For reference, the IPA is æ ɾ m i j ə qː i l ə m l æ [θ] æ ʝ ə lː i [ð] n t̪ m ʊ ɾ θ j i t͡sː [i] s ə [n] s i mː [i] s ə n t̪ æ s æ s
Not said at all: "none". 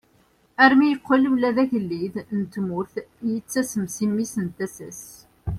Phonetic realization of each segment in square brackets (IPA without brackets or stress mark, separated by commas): ð, ð, æ, m, i